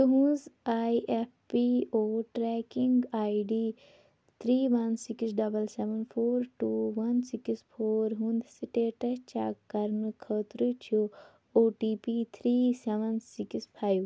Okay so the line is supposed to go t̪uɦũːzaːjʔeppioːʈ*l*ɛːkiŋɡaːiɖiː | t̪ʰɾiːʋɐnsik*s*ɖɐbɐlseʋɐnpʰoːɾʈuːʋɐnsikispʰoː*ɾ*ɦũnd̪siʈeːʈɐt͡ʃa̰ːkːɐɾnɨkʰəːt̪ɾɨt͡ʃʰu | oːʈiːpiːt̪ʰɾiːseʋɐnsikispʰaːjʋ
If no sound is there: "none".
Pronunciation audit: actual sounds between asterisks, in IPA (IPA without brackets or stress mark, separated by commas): ɾ, s, ɾ